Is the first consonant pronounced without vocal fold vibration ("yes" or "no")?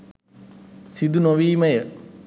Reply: yes